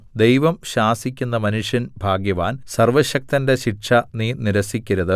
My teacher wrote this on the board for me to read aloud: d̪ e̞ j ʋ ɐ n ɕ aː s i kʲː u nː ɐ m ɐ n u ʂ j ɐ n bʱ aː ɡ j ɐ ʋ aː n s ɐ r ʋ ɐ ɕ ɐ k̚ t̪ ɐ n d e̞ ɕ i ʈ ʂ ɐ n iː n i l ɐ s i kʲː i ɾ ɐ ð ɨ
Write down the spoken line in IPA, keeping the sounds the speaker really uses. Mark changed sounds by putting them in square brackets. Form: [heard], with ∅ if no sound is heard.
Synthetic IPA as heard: d̪ e̞ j ʋ ɐ [m] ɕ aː s i kʲː u nː ɐ m ɐ n u ʂ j ɐ n bʱ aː ɡ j ɐ ʋ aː n s ɐ r ʋ ɐ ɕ ɐ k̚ t̪ ɐ n d e̞ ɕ i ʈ ʂ ɐ n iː n i [ɾ] ɐ s i kʲː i ɾ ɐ ð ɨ